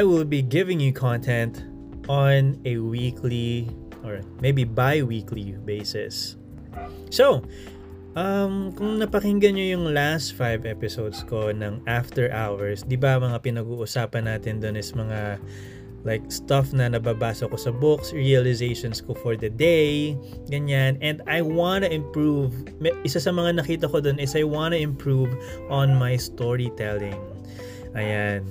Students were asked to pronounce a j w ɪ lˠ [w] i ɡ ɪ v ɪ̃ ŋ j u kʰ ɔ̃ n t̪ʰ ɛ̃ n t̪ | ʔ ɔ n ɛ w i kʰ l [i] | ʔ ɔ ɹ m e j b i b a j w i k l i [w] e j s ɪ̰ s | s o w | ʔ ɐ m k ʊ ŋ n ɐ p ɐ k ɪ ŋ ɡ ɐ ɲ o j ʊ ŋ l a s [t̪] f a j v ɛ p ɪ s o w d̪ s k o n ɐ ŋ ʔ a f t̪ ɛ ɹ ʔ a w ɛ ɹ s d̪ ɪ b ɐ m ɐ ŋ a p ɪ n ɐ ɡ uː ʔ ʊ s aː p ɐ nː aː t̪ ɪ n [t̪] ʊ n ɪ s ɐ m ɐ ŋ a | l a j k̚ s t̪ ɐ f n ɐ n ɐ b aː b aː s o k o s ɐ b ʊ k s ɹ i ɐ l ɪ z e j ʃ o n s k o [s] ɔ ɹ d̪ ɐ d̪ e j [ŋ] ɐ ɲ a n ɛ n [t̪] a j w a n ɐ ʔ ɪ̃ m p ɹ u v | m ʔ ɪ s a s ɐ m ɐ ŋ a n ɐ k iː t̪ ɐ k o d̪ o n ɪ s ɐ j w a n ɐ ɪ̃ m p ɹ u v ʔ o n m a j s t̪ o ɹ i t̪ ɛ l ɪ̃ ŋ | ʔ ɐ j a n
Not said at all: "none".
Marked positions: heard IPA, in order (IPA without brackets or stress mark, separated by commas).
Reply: b, i, b, t̪, d̪, f, ɡ, d̪